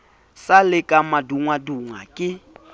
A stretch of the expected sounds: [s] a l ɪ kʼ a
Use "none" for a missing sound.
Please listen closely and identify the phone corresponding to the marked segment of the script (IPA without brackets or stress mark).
s